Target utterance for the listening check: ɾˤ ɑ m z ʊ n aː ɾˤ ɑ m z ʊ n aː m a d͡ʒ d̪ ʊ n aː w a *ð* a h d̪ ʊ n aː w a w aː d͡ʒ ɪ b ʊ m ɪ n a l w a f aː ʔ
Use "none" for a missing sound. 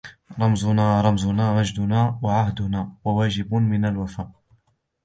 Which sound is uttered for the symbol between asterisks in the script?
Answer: ʕ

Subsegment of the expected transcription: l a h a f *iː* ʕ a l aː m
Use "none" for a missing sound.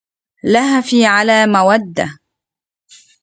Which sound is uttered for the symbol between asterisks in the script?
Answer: iː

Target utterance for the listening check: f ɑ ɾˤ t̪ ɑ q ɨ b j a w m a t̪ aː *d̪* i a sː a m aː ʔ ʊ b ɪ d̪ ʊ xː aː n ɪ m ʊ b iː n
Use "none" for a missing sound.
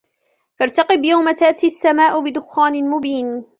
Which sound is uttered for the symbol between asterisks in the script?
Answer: t̪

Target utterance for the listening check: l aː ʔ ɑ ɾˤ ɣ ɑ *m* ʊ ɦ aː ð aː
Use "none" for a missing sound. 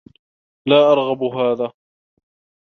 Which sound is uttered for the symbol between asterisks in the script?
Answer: b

